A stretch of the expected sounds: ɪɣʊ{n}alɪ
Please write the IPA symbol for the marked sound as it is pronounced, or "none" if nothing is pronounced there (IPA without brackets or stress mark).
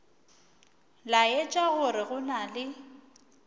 n